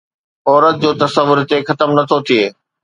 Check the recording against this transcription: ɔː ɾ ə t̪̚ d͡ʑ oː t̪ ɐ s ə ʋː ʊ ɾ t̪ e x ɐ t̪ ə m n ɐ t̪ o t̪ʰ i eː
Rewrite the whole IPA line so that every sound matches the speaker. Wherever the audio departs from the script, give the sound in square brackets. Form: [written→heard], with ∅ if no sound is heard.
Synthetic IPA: ɔː ɾ ə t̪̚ d͡ʑ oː t̪ ɐ s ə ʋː ʊ ɾ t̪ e x ɐ t̪ ə m n ɐ [t̪→t̪ʰ] o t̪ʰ i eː